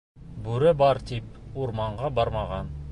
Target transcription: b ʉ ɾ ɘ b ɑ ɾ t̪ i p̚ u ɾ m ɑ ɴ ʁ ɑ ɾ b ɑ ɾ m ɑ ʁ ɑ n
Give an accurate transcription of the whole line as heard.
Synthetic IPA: b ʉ ɾ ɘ b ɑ ɾ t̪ i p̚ u ɾ m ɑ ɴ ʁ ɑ b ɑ ɾ m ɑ ʁ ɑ n